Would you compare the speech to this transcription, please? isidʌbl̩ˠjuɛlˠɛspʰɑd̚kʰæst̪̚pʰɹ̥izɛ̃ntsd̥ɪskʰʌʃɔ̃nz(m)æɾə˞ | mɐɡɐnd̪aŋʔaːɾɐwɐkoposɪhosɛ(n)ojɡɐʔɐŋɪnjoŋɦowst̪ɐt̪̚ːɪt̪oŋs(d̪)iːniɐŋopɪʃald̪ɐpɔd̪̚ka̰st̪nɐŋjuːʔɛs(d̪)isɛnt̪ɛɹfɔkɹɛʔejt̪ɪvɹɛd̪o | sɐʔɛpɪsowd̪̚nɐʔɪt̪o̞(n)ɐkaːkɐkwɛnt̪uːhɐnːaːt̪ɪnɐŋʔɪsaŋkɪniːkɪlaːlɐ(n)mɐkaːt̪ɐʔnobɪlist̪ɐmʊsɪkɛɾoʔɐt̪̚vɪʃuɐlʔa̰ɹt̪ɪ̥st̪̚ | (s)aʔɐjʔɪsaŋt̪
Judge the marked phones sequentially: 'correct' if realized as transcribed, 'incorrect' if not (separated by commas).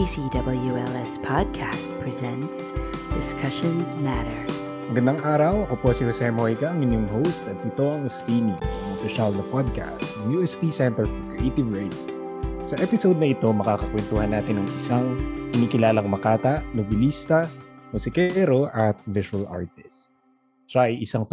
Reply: correct, incorrect, incorrect, incorrect, incorrect, incorrect, incorrect